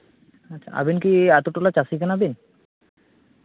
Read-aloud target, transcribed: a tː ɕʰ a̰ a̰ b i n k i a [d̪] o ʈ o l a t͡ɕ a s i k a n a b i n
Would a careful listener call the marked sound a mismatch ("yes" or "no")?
yes